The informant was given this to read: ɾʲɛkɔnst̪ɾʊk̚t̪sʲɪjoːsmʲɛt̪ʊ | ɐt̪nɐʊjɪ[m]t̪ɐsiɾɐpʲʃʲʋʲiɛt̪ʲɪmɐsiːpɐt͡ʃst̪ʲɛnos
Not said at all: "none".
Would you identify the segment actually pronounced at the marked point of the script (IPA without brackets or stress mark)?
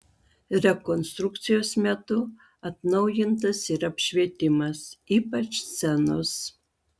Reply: n